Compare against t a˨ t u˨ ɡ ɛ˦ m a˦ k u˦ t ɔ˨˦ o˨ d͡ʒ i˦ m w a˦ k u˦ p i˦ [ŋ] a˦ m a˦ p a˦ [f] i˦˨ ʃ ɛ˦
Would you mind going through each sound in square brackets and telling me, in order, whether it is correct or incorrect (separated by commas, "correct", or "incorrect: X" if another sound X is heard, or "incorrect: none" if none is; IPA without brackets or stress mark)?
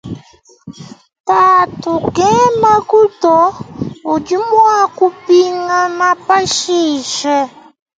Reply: correct, incorrect: ʃ